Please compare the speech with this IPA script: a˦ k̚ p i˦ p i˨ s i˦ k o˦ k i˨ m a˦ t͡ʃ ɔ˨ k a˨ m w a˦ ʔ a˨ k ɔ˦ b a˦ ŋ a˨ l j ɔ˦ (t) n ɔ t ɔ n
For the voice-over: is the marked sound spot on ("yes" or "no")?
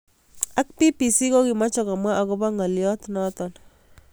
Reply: yes